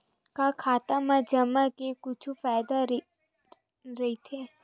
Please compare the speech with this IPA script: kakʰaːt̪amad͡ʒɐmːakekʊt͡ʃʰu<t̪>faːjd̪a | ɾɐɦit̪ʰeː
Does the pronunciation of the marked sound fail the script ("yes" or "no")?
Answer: yes